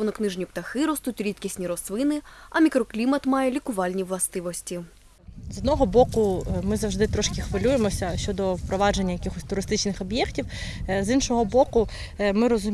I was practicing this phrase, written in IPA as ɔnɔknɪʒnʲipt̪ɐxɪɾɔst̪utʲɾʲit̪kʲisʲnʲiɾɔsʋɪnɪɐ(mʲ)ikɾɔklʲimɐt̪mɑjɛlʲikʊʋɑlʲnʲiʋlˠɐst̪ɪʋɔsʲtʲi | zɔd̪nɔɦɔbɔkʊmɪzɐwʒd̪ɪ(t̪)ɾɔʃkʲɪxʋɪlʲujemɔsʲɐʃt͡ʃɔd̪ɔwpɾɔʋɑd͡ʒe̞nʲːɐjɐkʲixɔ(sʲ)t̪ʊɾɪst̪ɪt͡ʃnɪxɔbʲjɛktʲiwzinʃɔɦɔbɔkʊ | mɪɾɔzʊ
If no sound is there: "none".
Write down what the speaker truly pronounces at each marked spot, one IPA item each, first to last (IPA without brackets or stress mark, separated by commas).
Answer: mʲ, t̪, sʲ